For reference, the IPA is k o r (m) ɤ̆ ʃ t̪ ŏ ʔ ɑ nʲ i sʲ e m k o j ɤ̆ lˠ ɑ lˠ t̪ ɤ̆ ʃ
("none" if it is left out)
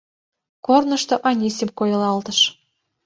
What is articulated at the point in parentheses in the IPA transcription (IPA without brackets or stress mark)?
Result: n